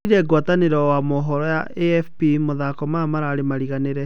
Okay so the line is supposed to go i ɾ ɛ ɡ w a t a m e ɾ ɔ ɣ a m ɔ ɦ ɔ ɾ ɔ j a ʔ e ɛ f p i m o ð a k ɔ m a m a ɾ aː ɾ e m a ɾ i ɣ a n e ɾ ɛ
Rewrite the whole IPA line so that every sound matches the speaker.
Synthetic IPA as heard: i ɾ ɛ ɡ w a t a n e ɾ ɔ w a m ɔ ɦ ɔ ɾ ɔ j a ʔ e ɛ f p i m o ð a k ɔ m a m a ɾ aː ɾ e m a ɾ i ɣ a n e ɾ ɛ

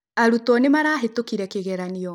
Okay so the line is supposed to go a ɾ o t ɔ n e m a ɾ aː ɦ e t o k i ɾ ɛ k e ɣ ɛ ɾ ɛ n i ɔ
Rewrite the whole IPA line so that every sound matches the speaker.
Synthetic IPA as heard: a ɾ u t ɔ n e m a ɾ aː ɦ e t o k i ɾ ɛ k e ɣ ɛ ɾ a n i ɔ

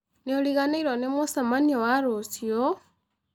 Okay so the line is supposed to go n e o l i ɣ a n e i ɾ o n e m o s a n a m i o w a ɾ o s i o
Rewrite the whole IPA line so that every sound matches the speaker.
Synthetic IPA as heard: n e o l i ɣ a n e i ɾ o n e m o s a m a n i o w a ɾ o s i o

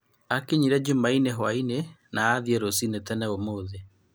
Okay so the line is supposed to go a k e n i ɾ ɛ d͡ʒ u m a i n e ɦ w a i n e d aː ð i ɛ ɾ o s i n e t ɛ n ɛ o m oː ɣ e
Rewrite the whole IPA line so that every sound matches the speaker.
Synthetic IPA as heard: a k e ɲ i ɾ ɛ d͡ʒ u m a i n e ɦ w a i n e n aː ð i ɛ ɾ o s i n e t ɛ n ɛ o m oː ð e

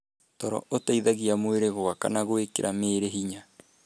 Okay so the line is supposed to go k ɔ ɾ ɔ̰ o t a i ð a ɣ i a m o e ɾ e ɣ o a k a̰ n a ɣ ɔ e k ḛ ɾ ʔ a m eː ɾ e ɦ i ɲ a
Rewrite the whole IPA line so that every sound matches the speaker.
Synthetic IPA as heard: t ɔ ɾ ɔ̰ o t a i ð a ɣ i a m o e ɾ e ɣ o a k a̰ n a ɣ o e k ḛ ɾ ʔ a m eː ɾ e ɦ i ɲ a

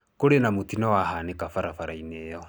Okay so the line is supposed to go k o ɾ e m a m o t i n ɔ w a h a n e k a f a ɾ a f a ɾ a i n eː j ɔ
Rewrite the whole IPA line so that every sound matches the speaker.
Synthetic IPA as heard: k o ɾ e n a m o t i n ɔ w a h a n e k a f a ɾ a f a ɾ a i n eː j ɔ

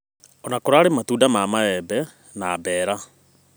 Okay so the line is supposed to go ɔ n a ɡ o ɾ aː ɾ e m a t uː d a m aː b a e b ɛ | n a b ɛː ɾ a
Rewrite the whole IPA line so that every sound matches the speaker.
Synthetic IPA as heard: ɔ n a k o ɾ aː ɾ e m a t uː d a m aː m a ɛ b ɛ | n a b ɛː ɾ a

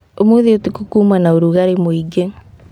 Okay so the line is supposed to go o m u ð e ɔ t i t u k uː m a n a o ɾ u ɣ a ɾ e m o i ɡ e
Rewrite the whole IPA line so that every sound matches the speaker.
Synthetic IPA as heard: o m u ð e o t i k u k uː m a n a o ɾ u ɣ a ɾ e m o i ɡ e

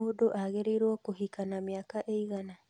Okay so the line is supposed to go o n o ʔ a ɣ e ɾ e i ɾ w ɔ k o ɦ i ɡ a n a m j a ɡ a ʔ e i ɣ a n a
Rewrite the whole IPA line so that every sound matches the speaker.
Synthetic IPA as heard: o d o ʔ a ɣ e ɾ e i ɾ w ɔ k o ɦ i k a n a m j a k a ʔ e i ɣ a n a

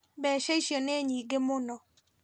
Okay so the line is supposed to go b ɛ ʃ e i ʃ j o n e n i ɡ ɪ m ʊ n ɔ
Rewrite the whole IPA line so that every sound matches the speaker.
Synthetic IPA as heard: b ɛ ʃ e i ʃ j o n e ɲ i ɡ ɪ m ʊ n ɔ

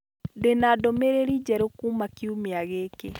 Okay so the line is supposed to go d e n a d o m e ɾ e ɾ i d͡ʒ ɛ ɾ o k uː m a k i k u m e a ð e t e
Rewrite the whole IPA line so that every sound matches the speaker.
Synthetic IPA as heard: d e n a d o m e ɾ e ɾ i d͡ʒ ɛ ɾ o k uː m a k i u m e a ɣ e k e

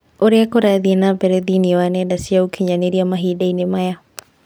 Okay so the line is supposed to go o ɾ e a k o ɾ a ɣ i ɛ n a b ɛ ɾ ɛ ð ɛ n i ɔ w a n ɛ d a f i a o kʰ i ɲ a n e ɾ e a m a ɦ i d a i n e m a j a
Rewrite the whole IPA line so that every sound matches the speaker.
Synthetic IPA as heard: o ɾ e a k o ɾ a ð i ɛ n a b ɛ ɾ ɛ ð i n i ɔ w a n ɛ d a s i a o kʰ i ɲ a n e ɾ i a m a ɦ i d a i n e m a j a

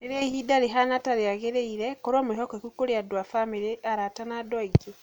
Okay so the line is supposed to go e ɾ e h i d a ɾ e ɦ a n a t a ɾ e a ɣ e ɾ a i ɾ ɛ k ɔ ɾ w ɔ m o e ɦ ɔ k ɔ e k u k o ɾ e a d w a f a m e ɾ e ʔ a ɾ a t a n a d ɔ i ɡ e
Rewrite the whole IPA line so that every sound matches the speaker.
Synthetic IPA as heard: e ɾ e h i d a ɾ e ɦ a n a t a ɾ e a ɣ e ɾ e i ɾ ɛ k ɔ ɾ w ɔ m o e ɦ ɔ k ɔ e k u k o ɾ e a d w a f a m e ɾ e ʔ a ɾ a t a n a d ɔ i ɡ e

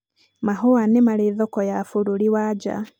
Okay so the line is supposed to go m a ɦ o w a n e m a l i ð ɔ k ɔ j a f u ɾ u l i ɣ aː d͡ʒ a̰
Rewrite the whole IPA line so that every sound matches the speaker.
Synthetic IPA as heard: m a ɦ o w a n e m a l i ð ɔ k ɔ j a f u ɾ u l i w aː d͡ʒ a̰

